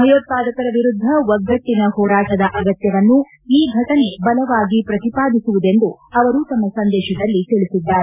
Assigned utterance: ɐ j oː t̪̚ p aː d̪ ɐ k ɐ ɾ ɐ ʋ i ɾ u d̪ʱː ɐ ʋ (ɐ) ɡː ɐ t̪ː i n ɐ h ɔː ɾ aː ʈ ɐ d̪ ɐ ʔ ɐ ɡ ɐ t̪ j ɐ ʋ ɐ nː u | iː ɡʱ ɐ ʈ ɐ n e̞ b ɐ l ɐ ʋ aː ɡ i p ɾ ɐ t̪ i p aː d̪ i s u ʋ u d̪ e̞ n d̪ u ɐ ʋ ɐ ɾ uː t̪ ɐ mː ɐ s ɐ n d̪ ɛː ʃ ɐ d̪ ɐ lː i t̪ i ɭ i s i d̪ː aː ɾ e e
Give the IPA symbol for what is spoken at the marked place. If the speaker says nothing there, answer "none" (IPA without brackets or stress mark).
ɐ